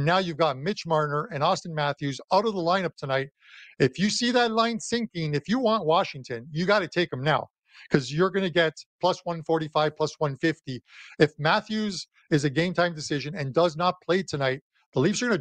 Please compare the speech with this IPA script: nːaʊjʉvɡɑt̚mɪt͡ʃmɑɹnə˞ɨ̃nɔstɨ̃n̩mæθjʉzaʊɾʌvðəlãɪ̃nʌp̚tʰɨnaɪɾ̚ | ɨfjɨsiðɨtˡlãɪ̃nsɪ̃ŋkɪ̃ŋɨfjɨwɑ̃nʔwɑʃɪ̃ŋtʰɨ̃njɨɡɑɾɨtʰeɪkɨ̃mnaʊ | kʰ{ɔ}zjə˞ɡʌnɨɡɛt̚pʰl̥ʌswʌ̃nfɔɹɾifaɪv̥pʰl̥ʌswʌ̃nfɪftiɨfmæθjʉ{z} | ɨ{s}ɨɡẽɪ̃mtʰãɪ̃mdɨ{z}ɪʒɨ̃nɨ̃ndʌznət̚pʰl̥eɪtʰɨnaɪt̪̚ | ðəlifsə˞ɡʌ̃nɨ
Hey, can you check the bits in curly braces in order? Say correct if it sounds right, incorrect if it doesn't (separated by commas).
incorrect, correct, incorrect, incorrect